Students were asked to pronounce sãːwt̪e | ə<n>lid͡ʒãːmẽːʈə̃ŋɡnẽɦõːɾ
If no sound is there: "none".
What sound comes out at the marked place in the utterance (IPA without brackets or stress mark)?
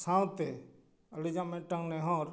none